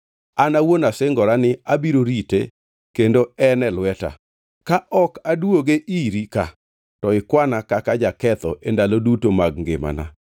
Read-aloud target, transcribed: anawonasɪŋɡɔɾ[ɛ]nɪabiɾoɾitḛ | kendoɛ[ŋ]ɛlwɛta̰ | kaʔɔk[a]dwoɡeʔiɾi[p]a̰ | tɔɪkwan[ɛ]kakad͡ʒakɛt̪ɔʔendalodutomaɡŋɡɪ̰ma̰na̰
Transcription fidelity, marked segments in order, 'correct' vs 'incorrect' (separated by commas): incorrect, incorrect, correct, incorrect, incorrect